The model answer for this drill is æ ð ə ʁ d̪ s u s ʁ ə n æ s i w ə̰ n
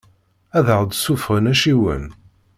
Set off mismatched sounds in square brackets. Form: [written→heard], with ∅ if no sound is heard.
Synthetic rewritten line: æ ð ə ʁ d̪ s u [s→f] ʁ ə n æ [s→ʃ] i w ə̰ n